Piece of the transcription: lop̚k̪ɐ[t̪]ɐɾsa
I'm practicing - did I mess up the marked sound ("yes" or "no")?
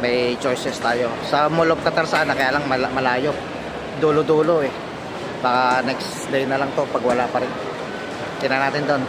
no